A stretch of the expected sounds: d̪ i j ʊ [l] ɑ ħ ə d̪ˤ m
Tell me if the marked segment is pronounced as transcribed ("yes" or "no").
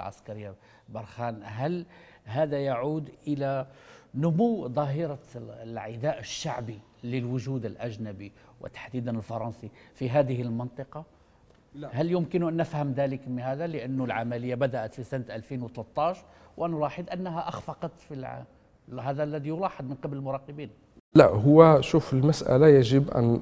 yes